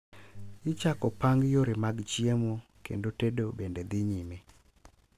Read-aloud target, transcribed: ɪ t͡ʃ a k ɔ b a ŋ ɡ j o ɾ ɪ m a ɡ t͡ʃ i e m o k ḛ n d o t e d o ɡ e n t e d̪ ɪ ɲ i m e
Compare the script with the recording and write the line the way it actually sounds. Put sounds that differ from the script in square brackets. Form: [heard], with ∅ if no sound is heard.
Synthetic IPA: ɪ t͡ʃ a k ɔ [p] a ŋ ɡ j o ɾ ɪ m a ɡ t͡ʃ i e m o k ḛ n d o t e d o [b] e n [d] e d̪ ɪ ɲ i m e